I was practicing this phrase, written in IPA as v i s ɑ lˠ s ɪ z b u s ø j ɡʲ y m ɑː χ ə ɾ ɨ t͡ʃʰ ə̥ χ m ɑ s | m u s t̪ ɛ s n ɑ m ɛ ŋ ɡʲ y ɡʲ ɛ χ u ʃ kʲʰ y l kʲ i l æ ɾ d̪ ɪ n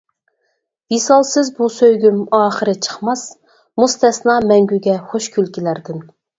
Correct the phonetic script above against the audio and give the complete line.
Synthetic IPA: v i s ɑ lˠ s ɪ z b u s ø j ɡʲ y m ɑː χ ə ɾ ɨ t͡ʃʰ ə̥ χ m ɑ s | m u s t̪ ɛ s n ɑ m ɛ ŋ ɡʲ y ɡʲ ɛ χ o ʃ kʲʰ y l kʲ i l æ ɾ d̪ ɪ n